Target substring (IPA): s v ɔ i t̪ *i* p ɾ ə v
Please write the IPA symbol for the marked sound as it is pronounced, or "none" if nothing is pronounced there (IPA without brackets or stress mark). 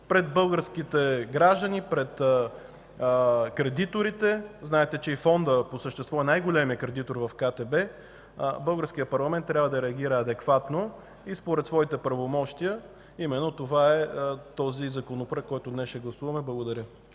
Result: ɛ